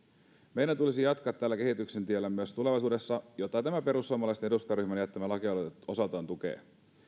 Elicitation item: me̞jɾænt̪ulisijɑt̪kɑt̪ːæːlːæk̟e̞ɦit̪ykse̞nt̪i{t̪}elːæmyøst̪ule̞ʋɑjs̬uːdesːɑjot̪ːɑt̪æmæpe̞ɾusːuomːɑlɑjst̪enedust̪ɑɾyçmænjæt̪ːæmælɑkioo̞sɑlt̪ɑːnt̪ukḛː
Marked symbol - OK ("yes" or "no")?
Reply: no